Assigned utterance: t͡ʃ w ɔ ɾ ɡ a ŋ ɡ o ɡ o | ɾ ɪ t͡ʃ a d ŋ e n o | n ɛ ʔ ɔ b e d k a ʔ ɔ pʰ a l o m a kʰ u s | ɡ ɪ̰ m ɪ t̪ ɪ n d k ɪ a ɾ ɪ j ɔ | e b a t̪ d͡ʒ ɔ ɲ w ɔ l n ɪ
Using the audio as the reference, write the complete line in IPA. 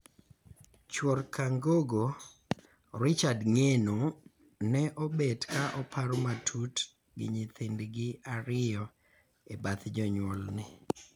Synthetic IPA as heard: t͡ʃ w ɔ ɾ k a ŋ ɡ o ɡ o | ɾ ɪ t͡ʃ a d ŋ e n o | n ɛ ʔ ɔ b e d k a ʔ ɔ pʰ a ɾ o m a tʰ u t | ɡ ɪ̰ ɲ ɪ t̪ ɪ n d ɡ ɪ a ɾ ɪ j ɔ | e b a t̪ d͡ʒ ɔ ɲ w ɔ l n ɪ